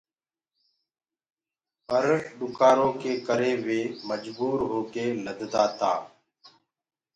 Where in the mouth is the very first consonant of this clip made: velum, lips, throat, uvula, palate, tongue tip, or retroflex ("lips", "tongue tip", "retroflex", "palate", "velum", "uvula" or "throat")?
lips